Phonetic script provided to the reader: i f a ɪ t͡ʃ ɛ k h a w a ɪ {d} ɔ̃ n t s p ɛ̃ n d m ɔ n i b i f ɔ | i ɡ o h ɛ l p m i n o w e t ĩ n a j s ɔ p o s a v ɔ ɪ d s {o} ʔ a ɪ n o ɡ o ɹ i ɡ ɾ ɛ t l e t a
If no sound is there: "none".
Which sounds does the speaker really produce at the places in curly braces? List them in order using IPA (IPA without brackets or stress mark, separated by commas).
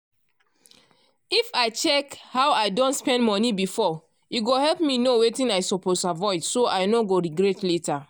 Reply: d, o